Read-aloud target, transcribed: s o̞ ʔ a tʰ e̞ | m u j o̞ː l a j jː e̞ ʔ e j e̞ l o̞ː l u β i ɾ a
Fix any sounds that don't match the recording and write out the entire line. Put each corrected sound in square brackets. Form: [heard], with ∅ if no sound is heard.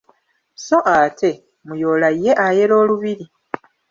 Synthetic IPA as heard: s o̞ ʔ a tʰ e̞ | m u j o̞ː l a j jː e̞ ʔ [a] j e̞ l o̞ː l u β i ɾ [i]